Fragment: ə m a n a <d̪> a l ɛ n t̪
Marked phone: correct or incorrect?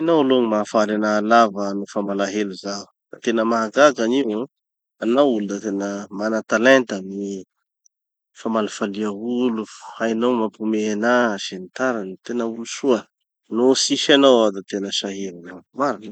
incorrect